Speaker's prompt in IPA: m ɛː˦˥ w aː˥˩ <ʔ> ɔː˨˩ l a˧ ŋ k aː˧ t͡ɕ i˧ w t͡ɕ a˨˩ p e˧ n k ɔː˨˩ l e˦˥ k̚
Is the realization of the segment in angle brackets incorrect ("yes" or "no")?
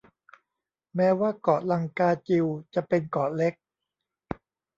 yes